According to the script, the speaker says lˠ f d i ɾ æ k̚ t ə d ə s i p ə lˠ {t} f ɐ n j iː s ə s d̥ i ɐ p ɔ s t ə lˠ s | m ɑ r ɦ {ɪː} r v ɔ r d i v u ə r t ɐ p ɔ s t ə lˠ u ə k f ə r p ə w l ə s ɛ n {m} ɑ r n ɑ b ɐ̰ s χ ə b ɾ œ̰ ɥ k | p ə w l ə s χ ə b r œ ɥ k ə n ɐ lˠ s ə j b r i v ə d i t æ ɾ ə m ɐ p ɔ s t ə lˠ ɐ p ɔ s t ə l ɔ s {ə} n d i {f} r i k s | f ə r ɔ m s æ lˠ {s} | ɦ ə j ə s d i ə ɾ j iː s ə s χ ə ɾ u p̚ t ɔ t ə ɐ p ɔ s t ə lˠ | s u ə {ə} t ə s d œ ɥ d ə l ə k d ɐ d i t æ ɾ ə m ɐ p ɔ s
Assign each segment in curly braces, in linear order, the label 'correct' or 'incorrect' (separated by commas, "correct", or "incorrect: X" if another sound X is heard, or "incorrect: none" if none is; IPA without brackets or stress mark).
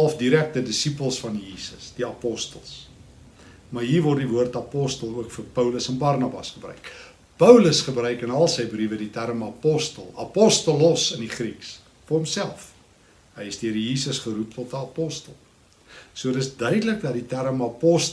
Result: incorrect: s, incorrect: iː, incorrect: b, correct, incorrect: χ, incorrect: f, correct